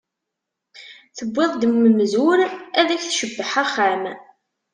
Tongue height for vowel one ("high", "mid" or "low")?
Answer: mid